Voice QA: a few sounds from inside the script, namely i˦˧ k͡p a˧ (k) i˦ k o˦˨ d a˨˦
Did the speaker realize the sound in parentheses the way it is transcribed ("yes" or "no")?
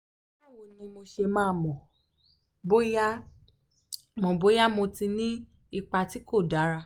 no